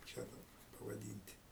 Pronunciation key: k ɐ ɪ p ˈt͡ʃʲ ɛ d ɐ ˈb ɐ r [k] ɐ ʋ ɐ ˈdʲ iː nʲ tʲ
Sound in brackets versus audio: incorrect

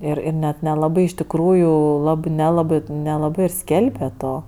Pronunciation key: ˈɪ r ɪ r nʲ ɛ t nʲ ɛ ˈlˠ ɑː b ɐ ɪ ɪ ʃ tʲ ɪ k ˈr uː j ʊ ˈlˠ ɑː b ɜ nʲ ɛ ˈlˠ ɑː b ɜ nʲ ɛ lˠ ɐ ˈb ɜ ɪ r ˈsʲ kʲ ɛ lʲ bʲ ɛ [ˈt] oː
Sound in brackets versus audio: correct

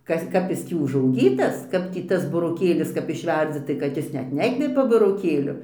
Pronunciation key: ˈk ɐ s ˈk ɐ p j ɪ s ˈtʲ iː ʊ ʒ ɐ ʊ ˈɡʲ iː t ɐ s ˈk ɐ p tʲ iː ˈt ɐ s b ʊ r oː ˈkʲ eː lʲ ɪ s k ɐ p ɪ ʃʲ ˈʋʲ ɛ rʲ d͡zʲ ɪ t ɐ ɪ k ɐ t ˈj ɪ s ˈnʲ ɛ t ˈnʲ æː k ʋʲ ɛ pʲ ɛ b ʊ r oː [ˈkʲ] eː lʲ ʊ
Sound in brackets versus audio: correct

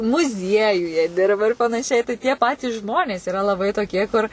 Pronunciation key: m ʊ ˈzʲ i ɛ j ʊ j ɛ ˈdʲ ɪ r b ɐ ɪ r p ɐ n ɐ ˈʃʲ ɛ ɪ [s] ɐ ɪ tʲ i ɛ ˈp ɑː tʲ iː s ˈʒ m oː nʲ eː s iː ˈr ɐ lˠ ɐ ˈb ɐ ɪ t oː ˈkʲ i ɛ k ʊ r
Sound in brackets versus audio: incorrect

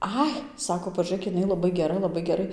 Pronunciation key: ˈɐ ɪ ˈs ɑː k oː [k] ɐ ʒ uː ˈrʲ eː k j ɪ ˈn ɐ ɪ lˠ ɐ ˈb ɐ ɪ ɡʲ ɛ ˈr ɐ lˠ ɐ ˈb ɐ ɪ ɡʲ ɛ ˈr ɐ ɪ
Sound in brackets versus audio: incorrect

